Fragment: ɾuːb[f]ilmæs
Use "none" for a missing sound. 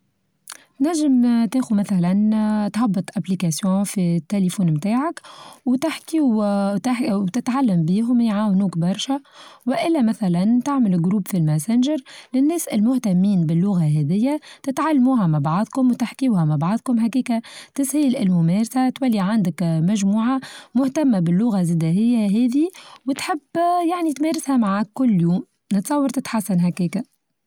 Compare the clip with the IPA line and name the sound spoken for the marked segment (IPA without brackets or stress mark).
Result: f